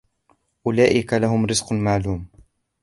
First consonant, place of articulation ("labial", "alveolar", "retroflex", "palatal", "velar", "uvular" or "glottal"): glottal